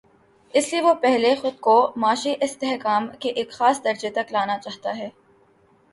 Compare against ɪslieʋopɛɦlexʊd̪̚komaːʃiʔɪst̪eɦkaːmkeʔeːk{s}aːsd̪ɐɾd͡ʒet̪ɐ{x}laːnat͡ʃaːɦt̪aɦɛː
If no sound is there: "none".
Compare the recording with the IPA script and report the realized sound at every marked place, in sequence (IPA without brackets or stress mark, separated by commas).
x, k